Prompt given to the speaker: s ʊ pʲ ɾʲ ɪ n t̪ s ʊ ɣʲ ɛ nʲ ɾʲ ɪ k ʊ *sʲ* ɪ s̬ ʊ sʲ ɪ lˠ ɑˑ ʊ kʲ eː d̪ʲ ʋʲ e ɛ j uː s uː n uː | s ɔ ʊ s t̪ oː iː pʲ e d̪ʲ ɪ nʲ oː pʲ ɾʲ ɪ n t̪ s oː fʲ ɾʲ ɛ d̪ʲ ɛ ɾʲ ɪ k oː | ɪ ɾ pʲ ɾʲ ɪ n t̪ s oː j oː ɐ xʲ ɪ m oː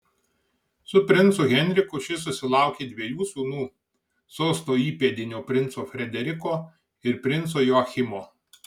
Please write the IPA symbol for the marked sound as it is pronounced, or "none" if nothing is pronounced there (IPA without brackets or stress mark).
ʃʲ